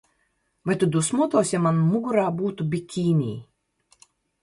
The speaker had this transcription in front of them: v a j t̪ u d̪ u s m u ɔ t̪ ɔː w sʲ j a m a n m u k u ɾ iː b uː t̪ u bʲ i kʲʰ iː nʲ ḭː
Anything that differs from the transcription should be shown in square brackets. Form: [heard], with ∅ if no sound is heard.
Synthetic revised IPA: v a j t̪ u d̪ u s m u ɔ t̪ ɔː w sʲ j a m a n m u [ɡ] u ɾ [aː] b uː t̪ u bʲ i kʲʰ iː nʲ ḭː